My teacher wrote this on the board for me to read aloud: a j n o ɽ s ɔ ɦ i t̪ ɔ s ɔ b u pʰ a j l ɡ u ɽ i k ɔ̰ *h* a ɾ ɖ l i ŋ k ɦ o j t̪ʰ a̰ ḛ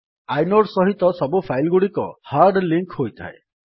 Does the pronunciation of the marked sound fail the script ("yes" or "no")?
no